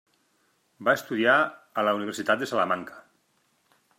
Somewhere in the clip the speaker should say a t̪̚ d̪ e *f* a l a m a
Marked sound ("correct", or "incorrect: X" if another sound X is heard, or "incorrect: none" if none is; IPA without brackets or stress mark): incorrect: s